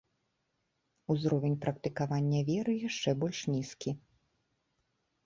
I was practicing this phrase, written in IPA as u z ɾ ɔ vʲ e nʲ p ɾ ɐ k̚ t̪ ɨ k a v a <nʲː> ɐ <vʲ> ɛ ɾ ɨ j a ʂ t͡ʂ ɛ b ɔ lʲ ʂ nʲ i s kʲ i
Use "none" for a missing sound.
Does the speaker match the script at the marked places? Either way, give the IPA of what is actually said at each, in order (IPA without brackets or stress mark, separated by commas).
nʲː, vʲ